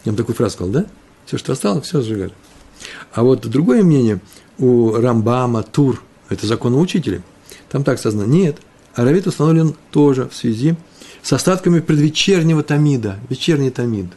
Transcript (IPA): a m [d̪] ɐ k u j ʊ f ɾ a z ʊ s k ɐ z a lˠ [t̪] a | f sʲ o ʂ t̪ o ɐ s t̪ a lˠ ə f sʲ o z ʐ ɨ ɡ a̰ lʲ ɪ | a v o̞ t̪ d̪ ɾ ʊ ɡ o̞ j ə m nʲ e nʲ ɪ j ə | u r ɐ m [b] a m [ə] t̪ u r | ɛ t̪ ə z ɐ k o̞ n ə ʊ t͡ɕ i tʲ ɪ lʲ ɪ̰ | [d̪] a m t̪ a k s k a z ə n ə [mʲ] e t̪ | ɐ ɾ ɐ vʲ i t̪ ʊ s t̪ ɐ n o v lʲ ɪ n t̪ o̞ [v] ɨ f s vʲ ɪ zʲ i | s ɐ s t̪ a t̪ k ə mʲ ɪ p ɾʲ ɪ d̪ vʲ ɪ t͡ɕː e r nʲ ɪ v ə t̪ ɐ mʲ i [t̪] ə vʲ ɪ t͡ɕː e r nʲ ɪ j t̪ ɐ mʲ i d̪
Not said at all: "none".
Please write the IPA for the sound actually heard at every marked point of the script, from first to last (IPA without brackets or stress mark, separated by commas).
t̪, d̪, b, ə, t̪, nʲ, ʐ, d̪